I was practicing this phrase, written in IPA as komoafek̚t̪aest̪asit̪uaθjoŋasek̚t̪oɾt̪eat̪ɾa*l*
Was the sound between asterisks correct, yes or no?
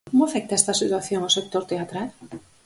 yes